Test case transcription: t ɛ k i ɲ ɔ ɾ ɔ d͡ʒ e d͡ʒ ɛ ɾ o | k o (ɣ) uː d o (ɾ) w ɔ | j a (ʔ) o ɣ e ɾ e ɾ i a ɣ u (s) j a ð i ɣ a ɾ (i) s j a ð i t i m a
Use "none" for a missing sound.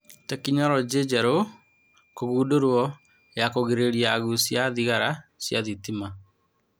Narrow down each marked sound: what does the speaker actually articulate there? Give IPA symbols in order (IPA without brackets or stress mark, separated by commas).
ɣ, ɾ, k, s, a